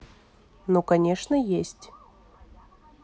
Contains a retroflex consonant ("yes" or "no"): yes